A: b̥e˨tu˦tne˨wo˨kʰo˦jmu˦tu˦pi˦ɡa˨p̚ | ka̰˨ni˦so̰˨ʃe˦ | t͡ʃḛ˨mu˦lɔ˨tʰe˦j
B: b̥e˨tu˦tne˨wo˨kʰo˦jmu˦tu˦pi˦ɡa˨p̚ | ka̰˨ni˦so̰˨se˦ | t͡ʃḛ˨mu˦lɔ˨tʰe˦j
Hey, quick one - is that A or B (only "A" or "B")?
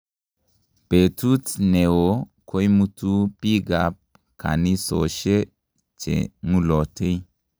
A